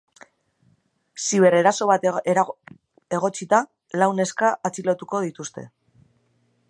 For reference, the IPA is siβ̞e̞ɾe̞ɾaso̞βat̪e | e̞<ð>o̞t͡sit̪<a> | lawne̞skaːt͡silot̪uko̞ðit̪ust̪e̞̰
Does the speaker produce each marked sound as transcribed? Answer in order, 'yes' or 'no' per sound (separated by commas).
no, yes